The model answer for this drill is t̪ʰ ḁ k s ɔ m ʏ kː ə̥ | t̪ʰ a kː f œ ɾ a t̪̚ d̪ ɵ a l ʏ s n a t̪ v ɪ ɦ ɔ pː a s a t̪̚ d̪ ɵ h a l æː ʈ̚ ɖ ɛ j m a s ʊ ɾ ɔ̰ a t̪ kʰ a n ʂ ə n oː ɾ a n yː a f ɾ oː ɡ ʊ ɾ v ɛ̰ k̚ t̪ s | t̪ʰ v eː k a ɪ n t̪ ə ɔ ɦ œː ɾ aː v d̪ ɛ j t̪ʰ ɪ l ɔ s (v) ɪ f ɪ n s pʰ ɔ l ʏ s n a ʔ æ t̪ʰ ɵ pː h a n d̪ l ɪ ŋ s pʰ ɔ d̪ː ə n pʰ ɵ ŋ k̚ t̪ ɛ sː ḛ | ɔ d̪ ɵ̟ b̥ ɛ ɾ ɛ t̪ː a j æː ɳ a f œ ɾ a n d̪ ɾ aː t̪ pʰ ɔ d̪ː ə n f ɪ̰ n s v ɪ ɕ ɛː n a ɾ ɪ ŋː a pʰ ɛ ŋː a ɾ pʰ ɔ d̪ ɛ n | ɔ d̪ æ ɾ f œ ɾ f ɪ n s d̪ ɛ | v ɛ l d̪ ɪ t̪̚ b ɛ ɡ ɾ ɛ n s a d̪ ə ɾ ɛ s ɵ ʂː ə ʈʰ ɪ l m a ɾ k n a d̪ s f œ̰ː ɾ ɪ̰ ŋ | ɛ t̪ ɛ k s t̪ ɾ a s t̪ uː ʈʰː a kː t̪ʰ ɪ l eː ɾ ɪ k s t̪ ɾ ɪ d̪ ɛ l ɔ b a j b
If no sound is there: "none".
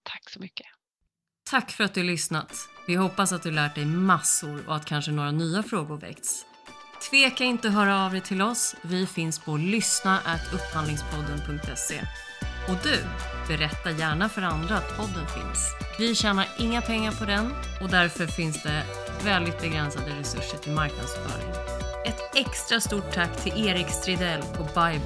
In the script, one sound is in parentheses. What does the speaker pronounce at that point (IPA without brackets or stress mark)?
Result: v